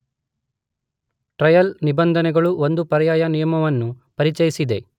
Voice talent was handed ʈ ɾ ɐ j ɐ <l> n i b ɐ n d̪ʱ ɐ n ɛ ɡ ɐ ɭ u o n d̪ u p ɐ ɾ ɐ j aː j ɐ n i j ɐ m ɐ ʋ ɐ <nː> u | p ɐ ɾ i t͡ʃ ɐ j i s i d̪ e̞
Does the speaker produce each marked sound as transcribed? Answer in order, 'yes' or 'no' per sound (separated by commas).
yes, yes